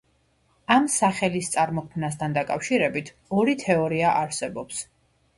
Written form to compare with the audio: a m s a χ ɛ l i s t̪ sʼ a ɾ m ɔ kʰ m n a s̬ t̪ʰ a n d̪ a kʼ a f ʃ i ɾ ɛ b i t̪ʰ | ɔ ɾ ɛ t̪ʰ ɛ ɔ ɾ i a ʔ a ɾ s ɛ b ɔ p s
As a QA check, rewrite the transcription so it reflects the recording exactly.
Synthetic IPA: a m s a χ ɛ l i s t̪ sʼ a ɾ m ɔ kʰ m n a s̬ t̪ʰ a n d̪ a kʼ a f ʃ i ɾ ɛ b i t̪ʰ | ɔ ɾ i t̪ʰ ɛ ɔ ɾ i a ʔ a ɾ s ɛ b ɔ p s